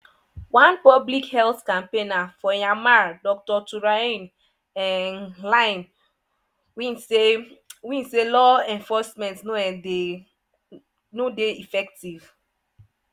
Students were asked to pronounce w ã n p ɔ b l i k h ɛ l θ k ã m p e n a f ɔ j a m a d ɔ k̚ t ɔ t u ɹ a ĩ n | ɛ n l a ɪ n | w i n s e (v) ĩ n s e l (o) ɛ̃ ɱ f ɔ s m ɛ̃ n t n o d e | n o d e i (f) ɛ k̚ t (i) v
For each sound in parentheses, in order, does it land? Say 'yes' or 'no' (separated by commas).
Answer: no, no, yes, yes